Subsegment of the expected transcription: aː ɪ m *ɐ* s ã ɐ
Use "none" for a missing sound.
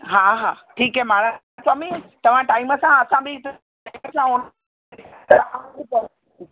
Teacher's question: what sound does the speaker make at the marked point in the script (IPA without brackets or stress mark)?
ə